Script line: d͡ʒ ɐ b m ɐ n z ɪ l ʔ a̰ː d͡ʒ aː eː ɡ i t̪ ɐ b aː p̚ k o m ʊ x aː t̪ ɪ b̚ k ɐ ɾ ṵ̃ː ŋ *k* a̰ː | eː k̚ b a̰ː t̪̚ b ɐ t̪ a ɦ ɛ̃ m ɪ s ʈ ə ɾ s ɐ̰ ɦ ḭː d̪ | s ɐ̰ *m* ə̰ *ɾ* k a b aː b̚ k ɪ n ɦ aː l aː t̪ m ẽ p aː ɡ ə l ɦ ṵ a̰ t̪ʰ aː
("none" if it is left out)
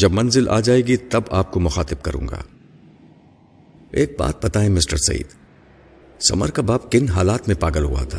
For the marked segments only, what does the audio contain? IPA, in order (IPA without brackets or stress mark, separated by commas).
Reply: ɡ, m, ɾ